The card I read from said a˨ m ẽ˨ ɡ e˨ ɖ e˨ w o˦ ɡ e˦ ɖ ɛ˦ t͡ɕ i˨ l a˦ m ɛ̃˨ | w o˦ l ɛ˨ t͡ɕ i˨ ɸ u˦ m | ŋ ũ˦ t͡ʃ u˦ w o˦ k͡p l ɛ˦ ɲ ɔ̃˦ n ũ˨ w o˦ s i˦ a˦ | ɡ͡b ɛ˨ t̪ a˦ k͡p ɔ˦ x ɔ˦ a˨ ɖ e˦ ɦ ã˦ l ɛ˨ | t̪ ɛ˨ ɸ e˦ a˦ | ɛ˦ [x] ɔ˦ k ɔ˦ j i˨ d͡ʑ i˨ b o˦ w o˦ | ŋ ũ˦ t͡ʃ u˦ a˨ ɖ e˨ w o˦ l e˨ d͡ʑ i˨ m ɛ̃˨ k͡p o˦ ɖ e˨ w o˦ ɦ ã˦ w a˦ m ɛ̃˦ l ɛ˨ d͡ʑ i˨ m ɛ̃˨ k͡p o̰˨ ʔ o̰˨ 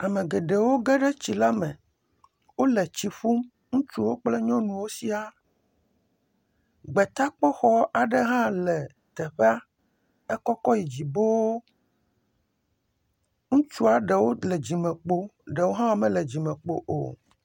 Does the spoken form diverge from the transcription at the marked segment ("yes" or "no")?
yes